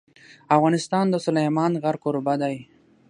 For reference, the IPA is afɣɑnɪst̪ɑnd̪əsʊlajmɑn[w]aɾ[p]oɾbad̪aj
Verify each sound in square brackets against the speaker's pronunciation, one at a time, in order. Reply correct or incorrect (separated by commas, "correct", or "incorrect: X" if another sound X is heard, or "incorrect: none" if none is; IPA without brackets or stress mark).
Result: incorrect: ɣ, incorrect: k